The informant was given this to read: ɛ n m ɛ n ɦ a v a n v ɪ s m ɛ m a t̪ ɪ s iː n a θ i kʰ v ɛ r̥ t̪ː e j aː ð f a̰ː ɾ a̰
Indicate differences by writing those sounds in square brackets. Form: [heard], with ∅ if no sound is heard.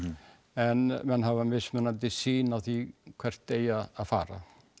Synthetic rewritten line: ɛ n m ɛ n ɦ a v a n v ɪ s m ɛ [n] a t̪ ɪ s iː n a θ i kʰ v ɛ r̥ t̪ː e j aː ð f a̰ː ɾ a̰